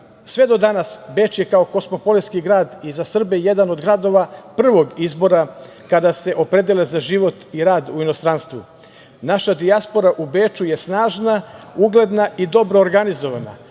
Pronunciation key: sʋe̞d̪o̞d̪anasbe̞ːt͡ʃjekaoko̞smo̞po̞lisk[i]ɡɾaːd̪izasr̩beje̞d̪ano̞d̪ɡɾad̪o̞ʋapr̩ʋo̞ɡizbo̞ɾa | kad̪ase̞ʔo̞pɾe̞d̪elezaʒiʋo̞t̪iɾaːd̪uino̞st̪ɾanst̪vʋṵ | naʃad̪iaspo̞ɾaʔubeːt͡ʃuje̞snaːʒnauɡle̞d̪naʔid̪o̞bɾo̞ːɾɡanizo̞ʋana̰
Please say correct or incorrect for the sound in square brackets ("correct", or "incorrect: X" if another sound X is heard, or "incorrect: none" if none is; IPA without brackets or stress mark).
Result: correct